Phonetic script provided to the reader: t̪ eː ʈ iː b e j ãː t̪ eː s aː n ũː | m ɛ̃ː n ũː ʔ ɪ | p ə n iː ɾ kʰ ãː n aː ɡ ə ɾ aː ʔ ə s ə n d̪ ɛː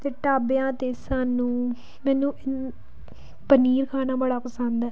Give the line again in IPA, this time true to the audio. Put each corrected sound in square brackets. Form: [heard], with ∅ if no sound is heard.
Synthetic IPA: t̪ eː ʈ [aː] b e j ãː t̪ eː s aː n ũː | m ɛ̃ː n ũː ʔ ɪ | p ə n iː ɾ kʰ [aː] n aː [b] ə [ɽ] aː [p] ə s ə n d̪ ɛː